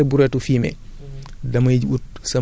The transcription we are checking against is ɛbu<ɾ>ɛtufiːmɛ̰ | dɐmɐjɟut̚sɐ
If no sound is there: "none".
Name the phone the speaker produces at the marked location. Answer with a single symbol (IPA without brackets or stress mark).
ɾ